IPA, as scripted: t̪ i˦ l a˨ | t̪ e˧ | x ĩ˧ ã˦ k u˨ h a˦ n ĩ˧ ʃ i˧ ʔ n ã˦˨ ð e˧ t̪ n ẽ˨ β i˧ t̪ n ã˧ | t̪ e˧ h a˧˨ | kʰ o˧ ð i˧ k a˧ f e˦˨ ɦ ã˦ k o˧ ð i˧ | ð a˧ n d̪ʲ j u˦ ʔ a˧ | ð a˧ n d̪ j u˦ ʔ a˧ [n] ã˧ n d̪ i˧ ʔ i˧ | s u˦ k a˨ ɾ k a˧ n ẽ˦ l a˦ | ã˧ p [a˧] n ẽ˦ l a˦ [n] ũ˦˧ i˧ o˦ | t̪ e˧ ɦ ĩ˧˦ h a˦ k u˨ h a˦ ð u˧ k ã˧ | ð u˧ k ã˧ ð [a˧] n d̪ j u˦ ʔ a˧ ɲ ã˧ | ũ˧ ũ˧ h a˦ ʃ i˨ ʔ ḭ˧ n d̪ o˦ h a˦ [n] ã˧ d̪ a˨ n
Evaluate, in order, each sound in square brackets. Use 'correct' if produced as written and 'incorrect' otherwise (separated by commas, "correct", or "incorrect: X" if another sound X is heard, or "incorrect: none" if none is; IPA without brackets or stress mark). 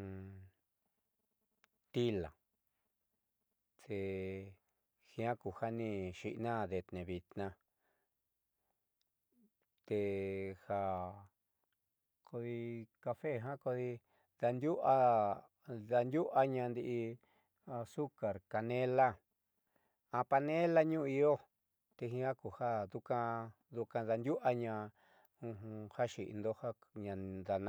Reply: incorrect: ɲ, correct, incorrect: ɲ, correct, incorrect: ɲ